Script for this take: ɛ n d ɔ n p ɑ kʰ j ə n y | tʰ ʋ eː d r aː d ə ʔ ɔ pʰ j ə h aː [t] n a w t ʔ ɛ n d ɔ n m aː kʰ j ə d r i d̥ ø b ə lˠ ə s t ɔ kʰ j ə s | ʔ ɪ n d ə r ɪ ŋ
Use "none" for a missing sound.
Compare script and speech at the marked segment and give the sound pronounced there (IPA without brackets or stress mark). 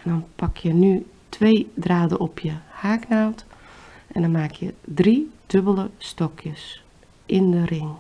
k